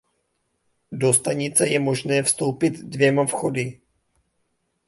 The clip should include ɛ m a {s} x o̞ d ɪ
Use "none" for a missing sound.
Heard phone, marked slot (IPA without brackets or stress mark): f